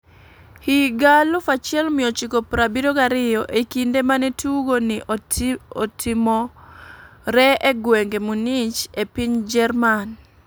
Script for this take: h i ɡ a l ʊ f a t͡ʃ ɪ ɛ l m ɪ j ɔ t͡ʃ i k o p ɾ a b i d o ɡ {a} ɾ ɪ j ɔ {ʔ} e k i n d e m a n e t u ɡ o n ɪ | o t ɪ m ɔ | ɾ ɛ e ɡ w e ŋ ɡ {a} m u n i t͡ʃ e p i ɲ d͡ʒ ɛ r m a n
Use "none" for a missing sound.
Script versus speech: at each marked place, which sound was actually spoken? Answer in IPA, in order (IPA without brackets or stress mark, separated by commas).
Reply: a, ʔ, e